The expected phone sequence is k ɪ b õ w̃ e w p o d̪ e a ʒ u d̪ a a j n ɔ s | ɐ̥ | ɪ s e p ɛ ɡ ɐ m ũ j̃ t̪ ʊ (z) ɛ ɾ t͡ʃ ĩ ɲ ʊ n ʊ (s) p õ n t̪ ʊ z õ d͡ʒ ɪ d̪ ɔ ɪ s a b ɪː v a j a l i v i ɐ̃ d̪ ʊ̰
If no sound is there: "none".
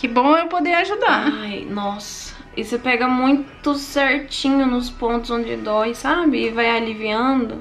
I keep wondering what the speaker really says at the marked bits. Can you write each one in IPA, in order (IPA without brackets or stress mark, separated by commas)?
s, s